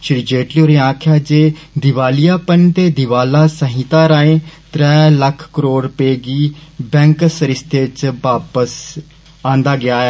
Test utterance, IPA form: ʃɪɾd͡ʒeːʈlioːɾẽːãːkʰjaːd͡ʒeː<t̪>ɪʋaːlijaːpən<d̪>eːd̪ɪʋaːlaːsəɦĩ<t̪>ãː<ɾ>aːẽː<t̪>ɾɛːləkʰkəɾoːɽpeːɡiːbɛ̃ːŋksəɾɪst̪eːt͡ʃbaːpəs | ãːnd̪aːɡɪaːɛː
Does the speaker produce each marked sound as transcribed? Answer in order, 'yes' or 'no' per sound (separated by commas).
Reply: no, no, yes, yes, yes